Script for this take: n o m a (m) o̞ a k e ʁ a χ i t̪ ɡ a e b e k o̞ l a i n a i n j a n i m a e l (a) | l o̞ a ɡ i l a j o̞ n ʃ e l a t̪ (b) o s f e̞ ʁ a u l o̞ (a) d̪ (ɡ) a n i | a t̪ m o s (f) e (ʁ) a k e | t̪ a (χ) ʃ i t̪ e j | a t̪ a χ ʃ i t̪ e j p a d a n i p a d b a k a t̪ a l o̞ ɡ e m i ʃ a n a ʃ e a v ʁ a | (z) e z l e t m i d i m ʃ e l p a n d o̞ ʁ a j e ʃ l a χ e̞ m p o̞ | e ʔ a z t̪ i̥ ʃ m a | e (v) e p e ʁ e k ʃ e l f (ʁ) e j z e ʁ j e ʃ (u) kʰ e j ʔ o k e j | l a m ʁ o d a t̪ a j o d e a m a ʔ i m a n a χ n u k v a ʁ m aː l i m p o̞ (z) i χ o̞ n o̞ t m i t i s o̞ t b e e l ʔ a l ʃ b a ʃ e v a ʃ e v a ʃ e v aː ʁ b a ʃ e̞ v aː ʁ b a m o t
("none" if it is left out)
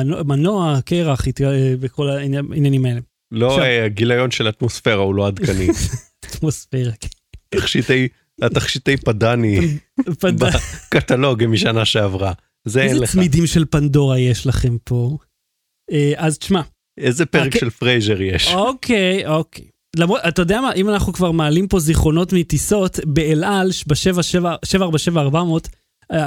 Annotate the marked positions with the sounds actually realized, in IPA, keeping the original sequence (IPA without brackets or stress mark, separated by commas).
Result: n, e, m, a, k, f, ʁ, χ, z, z, ʁ, o, z